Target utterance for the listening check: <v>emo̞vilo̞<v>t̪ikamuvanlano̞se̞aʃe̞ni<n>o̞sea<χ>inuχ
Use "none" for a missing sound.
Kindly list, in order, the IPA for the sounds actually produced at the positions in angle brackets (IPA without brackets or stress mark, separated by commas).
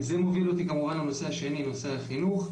z, none, n, χ